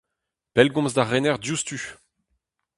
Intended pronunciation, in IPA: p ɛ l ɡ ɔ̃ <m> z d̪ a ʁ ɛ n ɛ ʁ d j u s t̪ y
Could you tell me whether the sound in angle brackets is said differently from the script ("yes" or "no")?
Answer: no